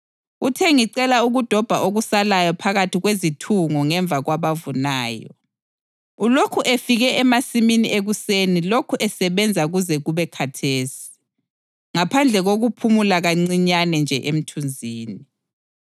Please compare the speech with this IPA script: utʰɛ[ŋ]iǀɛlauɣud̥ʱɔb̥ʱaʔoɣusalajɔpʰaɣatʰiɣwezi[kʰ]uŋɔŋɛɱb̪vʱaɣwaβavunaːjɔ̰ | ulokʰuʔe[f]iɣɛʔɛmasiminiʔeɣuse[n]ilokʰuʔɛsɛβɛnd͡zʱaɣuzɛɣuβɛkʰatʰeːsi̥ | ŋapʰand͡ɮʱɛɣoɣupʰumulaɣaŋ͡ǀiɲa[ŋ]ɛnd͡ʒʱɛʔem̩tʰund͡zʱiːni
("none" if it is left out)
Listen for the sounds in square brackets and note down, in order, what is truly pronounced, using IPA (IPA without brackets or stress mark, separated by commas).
ŋ, tʰ, f, n, n